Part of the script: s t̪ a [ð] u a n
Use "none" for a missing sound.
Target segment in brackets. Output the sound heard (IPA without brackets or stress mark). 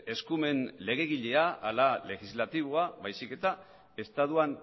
ð